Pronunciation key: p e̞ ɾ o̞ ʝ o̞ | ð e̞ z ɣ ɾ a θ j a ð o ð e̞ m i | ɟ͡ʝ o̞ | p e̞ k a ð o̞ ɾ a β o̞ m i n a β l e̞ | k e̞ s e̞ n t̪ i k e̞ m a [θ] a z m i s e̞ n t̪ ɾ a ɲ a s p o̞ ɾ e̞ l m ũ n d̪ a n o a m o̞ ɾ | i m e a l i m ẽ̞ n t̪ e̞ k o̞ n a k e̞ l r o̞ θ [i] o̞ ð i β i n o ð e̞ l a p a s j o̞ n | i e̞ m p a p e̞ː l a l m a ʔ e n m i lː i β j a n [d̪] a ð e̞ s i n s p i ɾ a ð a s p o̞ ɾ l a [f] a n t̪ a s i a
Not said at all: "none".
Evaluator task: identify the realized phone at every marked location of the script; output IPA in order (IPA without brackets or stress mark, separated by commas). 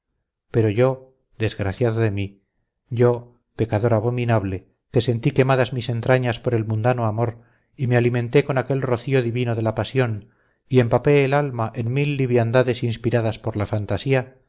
ð, i, d̪, f